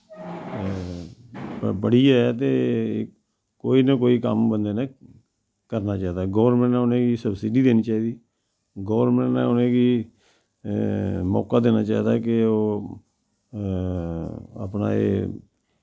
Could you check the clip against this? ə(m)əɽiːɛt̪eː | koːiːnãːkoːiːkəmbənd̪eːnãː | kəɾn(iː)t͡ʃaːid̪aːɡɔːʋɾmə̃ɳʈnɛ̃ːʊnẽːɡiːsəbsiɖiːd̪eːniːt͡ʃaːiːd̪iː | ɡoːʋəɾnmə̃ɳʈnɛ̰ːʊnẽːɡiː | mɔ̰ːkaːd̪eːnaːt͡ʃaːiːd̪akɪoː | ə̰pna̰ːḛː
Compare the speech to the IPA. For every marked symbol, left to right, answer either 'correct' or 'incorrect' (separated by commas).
incorrect, incorrect